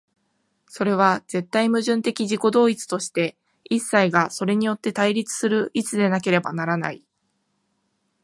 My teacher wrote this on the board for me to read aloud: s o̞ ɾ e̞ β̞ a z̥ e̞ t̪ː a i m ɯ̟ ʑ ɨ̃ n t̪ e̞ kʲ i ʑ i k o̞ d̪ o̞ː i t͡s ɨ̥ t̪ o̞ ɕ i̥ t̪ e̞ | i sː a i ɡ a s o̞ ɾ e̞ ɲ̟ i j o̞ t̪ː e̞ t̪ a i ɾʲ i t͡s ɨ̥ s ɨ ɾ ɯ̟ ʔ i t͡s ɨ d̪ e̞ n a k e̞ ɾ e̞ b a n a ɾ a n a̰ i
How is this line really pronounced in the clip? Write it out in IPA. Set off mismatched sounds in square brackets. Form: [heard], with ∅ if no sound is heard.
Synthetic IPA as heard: s o̞ ɾ e̞ β̞ a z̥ e̞ t̪ː a i m ɯ̟ ʑ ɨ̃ n t̪ e̞ kʲ i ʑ i k o̞ d̪ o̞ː i t͡s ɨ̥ t̪ o̞ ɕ i̥ t̪ e̞ | i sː a i ɡ a s o̞ ɾ e̞ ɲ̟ i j o̞ t̪ː e̞ t̪ a i ɾʲ i t͡s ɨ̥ s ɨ ɾ ɯ̟ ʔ i t͡s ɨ d̪ e̞ n a k e̞ ɾ e̞ b a n a ɾ a n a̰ i

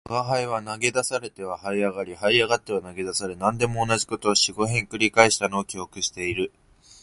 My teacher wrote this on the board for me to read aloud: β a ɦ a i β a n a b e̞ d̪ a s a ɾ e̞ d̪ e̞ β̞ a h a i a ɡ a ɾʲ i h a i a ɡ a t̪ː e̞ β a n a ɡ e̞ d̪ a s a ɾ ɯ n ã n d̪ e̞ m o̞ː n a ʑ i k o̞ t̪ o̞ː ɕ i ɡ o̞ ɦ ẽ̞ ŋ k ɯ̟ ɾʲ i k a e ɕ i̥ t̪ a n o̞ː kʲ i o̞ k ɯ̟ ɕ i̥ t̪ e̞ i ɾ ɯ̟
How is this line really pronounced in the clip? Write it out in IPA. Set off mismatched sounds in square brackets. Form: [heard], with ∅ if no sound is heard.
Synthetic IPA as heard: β a ɦ a i β a n a [ɡ] e̞ d̪ a s a ɾ e̞ [t̪] e̞ β̞ a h a i a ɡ a ɾʲ i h a i a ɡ a t̪ː e̞ β a n a ɡ e̞ d̪ a s a ɾ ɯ n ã n d̪ e̞ m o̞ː n a ʑ i k o̞ t̪ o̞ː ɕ i ɡ o̞ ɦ ẽ̞ ŋ k ɯ̟ ɾʲ i k a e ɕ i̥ t̪ a n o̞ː kʲ i o̞ k ɯ̟ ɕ i̥ t̪ e̞ i ɾ ɯ̟

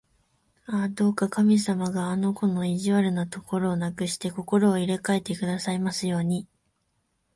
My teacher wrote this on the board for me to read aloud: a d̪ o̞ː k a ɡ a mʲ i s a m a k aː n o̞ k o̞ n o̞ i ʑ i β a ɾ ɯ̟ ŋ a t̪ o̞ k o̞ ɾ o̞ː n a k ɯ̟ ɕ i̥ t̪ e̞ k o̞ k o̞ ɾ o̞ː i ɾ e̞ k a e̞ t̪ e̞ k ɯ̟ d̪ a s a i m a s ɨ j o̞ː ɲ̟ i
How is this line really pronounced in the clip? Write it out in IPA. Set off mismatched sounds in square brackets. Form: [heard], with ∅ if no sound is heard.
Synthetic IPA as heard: a d̪ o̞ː k a [k] a mʲ i s a m a [ɡ] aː n o̞ k o̞ n o̞ i ʑ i β a ɾ ɯ̟ [n] a t̪ o̞ k o̞ ɾ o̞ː n a k ɯ̟ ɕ i̥ t̪ e̞ k o̞ k o̞ ɾ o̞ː i ɾ e̞ k a e̞ t̪ e̞ k ɯ̟ d̪ a s a i m a s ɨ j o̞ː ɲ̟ i

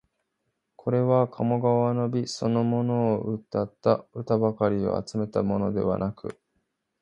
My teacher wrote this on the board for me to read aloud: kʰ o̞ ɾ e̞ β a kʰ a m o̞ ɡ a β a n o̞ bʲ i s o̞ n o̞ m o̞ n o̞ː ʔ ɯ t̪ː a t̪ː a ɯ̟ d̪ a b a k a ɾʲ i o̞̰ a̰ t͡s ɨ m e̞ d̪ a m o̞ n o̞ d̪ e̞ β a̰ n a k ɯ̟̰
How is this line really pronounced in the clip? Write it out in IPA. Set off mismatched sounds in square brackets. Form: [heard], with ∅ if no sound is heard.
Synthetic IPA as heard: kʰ o̞ ɾ e̞ β a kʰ a m o̞ ɡ a β a n o̞ bʲ i s o̞ n o̞ m o̞ n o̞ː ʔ ɯ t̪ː a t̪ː a ɯ̟ [t̪] a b a k a ɾʲ i o̞̰ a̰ t͡s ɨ m e̞ [t̪] a m o̞ n o̞ d̪ e̞ β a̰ n a k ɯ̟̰

